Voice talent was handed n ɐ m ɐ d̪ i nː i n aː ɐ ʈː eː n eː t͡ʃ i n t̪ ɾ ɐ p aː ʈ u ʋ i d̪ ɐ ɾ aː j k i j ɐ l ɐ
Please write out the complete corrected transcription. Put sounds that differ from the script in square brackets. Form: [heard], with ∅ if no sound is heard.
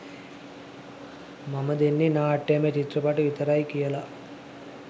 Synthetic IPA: [m] ɐ m ɐ d̪ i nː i n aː ɐ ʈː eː [m] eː t͡ʃ i [∅] t̪ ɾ ɐ p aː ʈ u ʋ i [t̪] ɐ ɾ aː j k i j ɐ l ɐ

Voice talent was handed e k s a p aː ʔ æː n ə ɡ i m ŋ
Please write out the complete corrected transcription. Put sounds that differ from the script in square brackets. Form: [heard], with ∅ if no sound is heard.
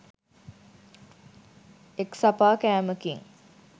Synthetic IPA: e k s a p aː [k] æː [m] ə [k] i [∅] ŋ

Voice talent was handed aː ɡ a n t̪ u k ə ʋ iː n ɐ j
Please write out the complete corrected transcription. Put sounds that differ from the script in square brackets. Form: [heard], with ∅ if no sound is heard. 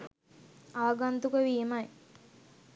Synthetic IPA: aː ɡ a n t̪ u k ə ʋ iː [m] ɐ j

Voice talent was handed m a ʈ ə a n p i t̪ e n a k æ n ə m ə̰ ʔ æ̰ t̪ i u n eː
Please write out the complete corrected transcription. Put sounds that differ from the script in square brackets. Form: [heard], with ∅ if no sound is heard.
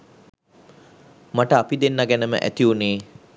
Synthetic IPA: m a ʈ ə a [∅] p i [d̪] e [nː] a [ɡ] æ n ə m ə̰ ʔ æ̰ t̪ i u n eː

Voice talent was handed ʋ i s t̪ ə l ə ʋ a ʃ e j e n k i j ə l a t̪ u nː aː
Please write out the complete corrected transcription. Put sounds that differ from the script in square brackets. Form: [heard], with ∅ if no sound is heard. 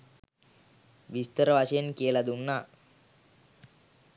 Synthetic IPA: ʋ i s t̪ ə [ɾ] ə ʋ a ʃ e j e n k i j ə l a [d̪] u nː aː

